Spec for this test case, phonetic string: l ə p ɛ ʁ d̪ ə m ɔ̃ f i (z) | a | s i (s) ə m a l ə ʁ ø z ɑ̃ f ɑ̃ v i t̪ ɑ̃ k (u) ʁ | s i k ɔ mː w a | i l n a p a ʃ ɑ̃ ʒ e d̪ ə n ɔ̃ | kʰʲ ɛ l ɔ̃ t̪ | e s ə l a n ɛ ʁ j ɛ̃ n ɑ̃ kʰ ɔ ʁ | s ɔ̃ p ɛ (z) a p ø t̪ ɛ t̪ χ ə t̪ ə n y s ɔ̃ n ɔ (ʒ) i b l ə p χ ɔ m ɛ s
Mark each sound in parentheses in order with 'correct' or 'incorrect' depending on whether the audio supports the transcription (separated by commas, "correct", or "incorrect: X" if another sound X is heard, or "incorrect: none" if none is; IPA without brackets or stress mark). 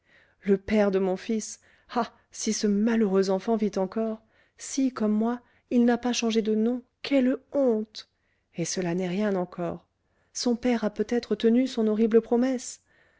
incorrect: s, correct, incorrect: ɔ, incorrect: ʁ, incorrect: ʁ